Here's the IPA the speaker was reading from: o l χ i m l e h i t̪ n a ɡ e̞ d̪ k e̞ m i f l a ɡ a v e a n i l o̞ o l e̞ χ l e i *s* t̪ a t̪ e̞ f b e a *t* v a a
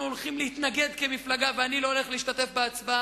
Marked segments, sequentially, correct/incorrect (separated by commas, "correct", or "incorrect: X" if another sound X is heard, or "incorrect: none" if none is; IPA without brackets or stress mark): incorrect: ʃ, incorrect: t͡s